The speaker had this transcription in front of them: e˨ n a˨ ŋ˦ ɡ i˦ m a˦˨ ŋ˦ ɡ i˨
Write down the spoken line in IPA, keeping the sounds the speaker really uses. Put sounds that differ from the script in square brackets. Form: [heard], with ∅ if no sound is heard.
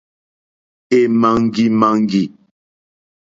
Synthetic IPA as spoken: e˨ [m] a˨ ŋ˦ ɡ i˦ m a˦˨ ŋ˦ ɡ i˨